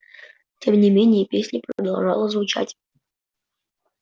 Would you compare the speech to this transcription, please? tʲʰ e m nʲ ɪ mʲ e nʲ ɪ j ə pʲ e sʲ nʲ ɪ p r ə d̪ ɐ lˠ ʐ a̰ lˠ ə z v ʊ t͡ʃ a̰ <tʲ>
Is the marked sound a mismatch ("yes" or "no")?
no